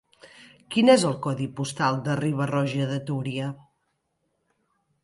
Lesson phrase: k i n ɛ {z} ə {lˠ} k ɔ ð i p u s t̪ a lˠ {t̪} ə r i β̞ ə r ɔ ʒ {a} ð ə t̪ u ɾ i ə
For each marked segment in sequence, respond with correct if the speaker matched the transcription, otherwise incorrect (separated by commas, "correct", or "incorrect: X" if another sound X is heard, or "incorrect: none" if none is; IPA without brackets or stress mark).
correct, correct, incorrect: d̪, incorrect: ə